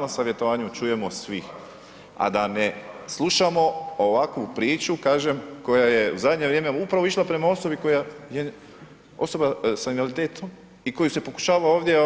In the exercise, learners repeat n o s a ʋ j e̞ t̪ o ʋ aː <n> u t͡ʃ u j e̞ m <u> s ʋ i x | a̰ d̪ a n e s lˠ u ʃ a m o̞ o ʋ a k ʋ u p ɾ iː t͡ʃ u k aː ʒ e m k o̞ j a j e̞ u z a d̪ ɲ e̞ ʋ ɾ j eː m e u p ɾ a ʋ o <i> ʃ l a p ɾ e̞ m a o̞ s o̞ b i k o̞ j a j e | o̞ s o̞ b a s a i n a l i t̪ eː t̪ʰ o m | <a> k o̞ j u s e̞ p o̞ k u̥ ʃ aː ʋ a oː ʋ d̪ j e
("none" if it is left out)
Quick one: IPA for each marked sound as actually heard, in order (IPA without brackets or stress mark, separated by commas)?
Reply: ɲ, o, i, i